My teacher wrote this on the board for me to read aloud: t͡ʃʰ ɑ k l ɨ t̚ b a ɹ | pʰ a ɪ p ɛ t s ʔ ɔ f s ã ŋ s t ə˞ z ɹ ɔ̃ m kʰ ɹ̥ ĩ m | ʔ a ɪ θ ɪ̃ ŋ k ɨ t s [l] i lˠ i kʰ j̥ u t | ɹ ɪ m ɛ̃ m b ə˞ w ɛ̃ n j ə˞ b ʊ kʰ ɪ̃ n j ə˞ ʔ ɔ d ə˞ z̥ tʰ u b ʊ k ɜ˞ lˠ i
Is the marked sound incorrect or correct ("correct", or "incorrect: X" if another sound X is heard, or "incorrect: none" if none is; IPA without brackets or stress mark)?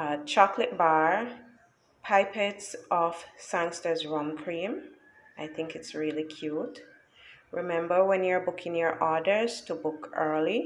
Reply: incorrect: ɹ